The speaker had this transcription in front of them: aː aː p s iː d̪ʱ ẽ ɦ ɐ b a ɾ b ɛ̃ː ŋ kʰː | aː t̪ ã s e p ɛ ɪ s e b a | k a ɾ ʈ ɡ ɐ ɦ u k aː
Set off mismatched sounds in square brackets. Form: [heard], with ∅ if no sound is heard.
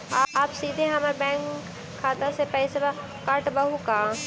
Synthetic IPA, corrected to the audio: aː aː p s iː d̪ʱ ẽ ɦ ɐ [m] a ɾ b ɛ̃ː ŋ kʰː | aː t̪ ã s e p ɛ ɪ s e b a | k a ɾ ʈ [b] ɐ ɦ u k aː